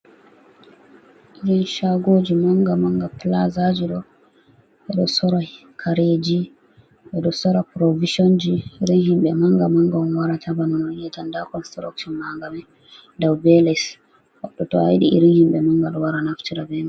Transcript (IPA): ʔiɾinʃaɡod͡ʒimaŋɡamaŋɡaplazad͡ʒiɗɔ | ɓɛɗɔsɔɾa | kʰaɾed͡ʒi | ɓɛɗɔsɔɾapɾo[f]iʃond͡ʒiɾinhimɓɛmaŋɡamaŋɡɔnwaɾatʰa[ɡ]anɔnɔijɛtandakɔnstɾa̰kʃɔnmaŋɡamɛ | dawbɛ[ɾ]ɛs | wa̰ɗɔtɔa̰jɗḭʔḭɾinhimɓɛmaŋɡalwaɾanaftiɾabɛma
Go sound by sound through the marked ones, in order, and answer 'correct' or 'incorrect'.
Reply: incorrect, incorrect, incorrect

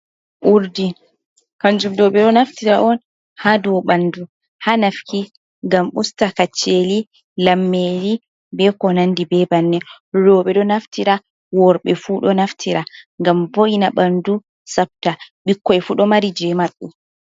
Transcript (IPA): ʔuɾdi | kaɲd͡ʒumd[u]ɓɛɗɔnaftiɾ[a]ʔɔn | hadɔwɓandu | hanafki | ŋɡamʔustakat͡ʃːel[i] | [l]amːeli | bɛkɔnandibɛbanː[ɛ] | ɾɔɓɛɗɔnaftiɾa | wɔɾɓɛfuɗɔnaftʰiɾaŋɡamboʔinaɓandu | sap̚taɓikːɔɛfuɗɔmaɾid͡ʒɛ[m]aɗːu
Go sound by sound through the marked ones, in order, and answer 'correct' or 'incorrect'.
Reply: incorrect, correct, correct, correct, correct, correct

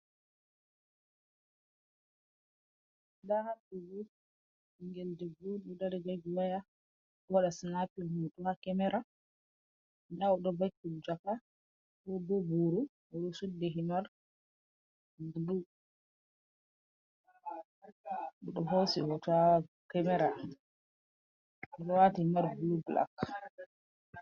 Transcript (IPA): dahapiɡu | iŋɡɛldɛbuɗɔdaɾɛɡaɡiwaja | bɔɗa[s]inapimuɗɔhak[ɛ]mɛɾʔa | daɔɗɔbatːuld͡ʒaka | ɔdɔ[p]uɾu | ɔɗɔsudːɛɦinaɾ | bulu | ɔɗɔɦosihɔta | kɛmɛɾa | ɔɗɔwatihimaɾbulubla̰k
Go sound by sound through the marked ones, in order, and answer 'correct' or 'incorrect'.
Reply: correct, correct, incorrect

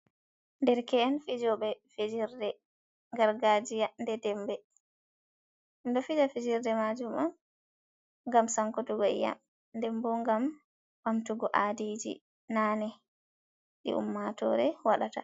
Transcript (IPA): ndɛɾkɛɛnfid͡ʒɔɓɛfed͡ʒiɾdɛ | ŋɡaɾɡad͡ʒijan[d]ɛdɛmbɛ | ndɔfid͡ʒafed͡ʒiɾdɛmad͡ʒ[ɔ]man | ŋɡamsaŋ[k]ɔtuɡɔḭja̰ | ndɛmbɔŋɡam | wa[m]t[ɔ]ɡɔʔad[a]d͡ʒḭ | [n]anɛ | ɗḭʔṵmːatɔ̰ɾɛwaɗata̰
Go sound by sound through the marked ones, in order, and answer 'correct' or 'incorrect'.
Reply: correct, incorrect, correct, correct, incorrect, incorrect, correct

